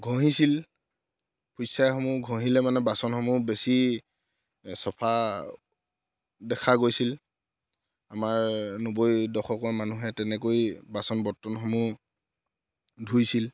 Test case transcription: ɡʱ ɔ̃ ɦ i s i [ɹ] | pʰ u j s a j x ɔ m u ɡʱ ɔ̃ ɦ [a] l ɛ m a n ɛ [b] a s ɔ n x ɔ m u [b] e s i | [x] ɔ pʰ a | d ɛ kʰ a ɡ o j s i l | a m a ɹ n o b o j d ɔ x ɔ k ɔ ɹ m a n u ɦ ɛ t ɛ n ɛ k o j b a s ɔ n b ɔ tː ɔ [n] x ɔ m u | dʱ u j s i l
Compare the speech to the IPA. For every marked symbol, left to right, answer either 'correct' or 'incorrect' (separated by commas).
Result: incorrect, incorrect, correct, correct, incorrect, correct